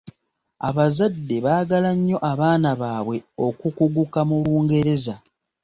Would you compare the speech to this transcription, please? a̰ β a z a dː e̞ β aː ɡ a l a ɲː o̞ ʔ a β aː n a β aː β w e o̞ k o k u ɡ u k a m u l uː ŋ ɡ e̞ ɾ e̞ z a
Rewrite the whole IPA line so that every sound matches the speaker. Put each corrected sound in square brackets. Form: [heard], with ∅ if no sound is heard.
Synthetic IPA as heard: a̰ β a z a dː e̞ β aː ɡ a l a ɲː o̞ ʔ a β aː n a β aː β w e o̞ k [u] k u ɡ u k a m u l uː ŋ ɡ e̞ ɾ e̞ z a